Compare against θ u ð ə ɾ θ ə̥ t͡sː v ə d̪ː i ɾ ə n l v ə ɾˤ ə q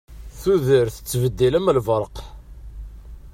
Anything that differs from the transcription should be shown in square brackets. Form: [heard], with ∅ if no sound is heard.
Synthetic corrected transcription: θ u ð ə ɾ θ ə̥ t͡sː v ə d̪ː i [l] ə [m] l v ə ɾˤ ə q